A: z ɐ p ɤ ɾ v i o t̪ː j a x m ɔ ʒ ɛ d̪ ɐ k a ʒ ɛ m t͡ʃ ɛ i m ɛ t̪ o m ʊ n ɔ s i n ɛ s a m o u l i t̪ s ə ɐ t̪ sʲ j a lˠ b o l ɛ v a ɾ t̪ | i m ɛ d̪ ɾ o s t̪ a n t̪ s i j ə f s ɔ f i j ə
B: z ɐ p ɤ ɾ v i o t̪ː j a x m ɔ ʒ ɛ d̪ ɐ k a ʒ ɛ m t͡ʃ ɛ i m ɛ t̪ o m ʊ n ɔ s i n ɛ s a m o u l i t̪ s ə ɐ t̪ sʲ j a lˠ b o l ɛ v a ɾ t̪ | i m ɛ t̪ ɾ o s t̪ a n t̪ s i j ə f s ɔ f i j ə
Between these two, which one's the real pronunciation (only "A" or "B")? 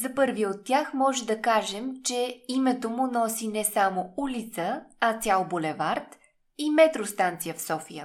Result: B